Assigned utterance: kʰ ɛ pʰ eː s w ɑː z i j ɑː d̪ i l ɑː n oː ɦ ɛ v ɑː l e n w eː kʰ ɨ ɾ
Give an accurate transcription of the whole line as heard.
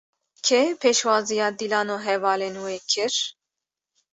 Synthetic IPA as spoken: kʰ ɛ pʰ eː ʃ w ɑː z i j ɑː d̪ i l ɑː n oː ɦ ɛ v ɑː l e n w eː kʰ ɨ ɾ